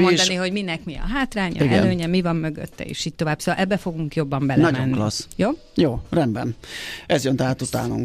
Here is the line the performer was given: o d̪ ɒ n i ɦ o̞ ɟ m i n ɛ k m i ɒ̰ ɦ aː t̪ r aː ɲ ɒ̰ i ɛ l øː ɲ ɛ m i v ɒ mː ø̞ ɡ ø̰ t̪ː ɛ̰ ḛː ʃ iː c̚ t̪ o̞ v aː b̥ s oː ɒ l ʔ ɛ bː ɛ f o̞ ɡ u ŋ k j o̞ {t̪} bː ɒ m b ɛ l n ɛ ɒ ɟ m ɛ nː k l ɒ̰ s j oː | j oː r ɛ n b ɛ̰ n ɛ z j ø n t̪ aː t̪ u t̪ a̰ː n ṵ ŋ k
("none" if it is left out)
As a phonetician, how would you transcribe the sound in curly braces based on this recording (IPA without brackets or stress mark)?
none